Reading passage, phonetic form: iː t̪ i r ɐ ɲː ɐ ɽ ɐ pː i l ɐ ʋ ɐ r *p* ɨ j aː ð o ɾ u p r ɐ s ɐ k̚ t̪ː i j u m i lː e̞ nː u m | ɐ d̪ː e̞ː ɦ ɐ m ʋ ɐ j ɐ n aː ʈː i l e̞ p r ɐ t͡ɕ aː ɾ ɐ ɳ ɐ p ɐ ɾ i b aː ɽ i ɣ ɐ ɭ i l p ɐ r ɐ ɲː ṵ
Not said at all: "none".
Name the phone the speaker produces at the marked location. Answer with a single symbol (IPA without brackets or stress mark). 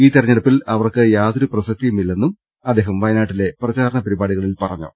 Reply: k